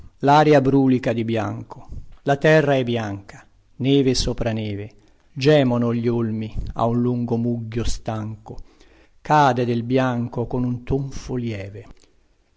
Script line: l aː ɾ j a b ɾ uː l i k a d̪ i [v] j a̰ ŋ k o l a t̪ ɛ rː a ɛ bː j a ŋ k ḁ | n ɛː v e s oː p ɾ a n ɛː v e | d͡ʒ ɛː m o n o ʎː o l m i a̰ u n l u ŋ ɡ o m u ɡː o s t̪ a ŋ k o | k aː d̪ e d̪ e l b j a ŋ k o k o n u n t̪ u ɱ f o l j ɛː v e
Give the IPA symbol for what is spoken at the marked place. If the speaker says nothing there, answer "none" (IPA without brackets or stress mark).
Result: b